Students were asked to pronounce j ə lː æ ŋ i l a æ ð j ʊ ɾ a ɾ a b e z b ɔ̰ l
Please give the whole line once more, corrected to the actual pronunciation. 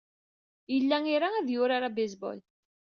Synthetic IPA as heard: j ə lː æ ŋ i ɾ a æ ð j ʊ ɾ a ɾ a b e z b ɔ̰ l